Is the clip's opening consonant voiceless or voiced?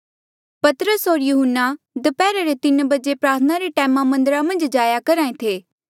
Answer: voiceless